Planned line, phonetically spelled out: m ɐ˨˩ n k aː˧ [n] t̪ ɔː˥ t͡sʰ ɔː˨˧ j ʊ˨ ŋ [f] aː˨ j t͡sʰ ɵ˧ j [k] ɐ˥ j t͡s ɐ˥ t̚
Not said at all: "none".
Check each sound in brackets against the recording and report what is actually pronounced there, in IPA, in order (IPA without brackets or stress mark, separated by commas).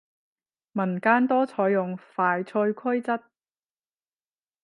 n, f, kʰ